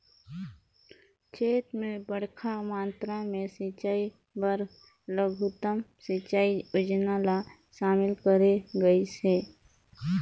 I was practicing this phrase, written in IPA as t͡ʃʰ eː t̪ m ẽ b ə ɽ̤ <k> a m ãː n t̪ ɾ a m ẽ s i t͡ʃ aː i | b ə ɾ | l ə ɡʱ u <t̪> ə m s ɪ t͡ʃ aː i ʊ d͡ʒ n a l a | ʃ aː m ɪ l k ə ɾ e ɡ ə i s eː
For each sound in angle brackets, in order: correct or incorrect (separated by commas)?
incorrect, correct